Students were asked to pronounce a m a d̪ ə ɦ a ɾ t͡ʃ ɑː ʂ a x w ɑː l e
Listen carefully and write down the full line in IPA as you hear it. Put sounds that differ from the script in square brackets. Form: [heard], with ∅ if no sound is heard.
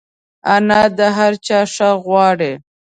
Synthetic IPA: a [n] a d̪ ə ɦ a ɾ t͡ʃ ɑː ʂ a [ɣ] w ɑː [ɽ] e